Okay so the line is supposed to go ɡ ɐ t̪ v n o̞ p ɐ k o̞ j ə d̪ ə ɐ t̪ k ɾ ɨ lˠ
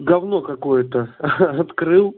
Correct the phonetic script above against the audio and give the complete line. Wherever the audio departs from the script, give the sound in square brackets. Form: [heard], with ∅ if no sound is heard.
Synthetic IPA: ɡ ɐ [∅] v n o̞ [k] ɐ k o̞ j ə [t̪] ə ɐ t̪ k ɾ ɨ lˠ